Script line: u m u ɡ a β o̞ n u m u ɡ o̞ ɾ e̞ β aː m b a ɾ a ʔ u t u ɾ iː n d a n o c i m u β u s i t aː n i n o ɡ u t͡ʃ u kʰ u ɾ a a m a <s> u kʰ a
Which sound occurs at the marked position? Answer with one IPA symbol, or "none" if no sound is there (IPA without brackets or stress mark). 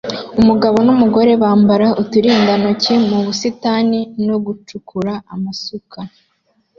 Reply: s